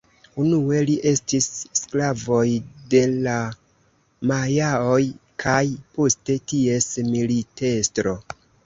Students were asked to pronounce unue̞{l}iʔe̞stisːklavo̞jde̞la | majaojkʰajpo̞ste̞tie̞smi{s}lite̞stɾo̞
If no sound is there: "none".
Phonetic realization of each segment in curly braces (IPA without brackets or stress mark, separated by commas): l, none